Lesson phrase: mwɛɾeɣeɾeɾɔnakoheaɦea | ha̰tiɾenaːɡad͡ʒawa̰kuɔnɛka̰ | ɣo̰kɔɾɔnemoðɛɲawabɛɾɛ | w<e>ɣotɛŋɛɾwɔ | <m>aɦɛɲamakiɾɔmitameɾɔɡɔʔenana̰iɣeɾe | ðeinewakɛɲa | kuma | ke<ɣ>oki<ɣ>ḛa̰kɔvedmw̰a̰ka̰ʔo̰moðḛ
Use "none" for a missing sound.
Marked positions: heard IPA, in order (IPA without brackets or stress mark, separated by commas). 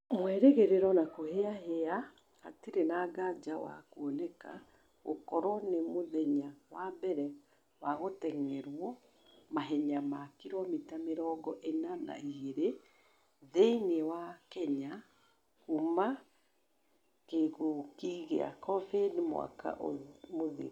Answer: a, m, ɣ, ɣ